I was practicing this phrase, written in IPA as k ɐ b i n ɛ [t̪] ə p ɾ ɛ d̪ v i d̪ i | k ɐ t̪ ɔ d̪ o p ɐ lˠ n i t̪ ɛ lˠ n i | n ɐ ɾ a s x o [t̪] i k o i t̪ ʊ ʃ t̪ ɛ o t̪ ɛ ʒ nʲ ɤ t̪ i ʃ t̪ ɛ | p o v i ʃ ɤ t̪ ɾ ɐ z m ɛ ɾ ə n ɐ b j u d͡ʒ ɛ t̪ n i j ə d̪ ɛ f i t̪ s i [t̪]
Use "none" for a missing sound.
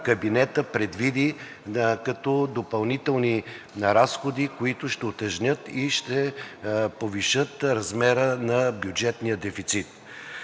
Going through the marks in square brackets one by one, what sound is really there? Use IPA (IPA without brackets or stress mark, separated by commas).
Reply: t̪, d̪, t̪